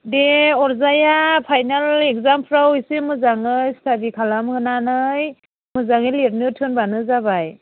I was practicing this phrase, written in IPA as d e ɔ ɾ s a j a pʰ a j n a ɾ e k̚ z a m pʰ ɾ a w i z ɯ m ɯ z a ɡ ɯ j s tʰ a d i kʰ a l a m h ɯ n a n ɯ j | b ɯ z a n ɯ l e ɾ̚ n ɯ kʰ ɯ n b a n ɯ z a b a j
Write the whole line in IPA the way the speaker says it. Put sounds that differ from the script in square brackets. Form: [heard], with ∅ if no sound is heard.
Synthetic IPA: d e ɔ ɾ [z] a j a pʰ a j n a [l] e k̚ z a m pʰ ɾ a w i [s] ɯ m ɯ z a [ŋ] ɯ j s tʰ a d i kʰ a l a m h ɯ n a n ɯ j | [m] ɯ z a [ŋ] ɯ l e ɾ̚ n ɯ [tʰ] ɯ n b a n ɯ z a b a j